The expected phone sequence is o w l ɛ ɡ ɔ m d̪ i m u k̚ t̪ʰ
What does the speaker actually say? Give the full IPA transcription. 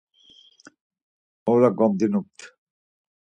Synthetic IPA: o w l a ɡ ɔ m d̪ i n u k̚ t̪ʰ